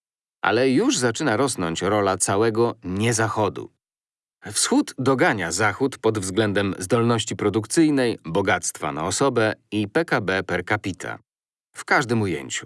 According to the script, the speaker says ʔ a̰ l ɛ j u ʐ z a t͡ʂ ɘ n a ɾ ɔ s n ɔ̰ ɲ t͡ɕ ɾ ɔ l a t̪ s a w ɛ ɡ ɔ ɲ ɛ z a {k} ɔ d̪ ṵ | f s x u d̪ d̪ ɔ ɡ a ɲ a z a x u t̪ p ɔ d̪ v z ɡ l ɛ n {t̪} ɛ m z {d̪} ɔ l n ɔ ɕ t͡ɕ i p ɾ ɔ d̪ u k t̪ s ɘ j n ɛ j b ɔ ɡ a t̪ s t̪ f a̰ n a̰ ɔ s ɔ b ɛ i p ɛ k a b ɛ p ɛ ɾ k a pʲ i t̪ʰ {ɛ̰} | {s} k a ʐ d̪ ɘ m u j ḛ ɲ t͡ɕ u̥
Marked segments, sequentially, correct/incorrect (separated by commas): incorrect, incorrect, correct, incorrect, incorrect